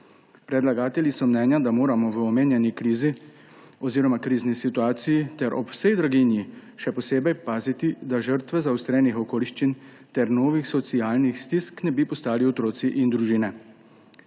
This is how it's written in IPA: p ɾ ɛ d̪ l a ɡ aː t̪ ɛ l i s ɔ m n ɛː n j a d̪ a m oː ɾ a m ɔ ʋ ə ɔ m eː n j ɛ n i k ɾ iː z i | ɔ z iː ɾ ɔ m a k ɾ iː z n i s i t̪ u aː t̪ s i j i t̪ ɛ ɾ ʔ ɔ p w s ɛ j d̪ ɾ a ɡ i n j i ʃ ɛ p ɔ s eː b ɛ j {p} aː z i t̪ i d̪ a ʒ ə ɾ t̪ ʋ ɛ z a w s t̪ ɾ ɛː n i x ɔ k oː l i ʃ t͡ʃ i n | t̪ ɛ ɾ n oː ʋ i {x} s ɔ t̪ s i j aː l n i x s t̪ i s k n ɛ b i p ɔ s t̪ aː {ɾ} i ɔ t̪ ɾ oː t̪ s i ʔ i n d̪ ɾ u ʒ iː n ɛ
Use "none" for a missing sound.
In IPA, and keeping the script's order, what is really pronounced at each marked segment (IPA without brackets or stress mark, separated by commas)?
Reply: p, x, l